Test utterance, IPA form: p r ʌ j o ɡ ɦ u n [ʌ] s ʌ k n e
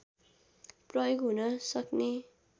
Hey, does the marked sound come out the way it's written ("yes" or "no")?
yes